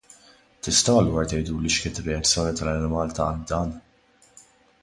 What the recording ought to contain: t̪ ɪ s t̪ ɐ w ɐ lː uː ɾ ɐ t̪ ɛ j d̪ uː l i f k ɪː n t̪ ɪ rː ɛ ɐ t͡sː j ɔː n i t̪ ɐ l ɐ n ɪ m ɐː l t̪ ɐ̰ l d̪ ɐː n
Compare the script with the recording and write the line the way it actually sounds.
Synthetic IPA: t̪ ɪ s t̪ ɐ w ɐ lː uː ɾ ɐ t̪ ɛ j d̪ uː l i ʃ k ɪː n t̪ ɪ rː ɛ ɐ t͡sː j ɔː n i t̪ ɐ l ɐ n ɪ m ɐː l t̪ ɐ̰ l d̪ ɐː n

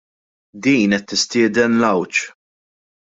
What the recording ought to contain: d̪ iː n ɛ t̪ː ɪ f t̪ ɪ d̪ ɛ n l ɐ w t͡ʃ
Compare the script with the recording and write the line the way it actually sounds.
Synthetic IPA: d̪ iː n ɛ t̪ː ɪ s t̪ ɪː d̪ ɛ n l ɐ w t͡ʃ

